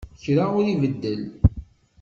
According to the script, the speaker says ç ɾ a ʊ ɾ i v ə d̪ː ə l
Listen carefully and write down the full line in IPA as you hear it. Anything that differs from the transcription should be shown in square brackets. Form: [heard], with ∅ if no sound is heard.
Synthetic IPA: ç ɾ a ʊ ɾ i v ə d̪ː ə l